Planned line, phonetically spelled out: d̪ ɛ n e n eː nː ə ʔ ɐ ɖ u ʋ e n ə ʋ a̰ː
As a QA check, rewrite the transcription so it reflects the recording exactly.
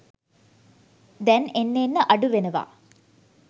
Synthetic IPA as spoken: d̪ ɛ n e nː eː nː ə ʔ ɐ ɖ u ʋ e n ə ʋ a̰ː